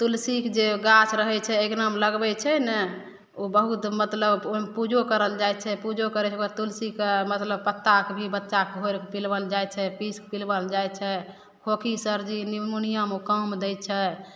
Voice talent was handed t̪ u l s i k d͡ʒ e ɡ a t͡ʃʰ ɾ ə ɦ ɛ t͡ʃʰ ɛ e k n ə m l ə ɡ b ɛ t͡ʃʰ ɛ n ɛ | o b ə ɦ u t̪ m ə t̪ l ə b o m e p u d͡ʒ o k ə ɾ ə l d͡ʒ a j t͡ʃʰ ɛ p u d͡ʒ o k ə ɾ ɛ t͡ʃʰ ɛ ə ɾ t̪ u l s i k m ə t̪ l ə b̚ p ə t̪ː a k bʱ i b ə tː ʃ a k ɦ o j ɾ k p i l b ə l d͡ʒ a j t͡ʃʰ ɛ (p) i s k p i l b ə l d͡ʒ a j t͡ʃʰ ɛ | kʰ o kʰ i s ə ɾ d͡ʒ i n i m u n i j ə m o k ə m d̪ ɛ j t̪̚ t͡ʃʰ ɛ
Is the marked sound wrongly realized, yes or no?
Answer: no